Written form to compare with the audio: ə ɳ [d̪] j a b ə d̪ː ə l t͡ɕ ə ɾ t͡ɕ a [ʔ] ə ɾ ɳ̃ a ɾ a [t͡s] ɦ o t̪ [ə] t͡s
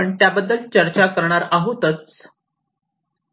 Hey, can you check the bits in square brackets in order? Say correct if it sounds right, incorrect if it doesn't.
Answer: incorrect: t̪, incorrect: k, incorrect: none, correct

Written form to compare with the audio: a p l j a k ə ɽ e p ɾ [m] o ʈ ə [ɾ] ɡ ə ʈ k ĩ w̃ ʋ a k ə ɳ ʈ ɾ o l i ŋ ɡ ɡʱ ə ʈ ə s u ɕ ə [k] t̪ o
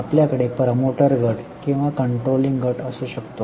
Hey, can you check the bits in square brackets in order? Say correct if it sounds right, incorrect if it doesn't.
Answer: correct, correct, correct

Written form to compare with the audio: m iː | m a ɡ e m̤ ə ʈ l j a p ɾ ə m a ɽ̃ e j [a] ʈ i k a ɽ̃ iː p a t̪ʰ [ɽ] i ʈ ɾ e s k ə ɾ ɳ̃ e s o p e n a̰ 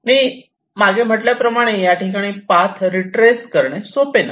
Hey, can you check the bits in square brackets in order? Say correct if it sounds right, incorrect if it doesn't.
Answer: correct, incorrect: ɾ

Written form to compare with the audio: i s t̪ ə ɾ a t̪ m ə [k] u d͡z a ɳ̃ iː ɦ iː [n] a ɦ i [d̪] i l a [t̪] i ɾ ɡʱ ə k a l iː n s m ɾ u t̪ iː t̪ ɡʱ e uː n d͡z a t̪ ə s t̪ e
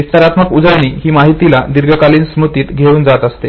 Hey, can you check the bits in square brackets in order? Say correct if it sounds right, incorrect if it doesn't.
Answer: correct, incorrect: m, incorrect: t̪, incorrect: d̪

